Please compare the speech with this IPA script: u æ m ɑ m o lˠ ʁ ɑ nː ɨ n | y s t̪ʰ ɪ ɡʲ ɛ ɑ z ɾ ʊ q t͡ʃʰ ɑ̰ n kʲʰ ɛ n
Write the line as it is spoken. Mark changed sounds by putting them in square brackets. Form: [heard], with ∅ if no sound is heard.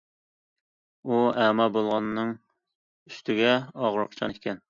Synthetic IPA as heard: u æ m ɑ [b] o lˠ ʁ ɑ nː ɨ [ŋ] | y s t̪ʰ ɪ ɡʲ ɛ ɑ [ʁ] ɾ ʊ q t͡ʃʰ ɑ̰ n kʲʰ ɛ n